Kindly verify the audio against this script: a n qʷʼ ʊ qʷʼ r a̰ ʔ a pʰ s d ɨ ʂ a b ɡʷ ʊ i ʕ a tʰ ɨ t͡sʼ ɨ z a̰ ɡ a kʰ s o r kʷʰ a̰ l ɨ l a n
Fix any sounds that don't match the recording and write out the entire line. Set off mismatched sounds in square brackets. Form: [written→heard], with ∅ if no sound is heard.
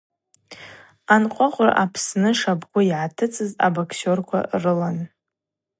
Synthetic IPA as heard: a n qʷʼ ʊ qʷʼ r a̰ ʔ a pʰ s [d→n] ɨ ʂ a b ɡʷ ʊ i ʕ a tʰ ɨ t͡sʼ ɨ z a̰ [ɡ→b] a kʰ s o r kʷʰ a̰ [l→r] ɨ l a n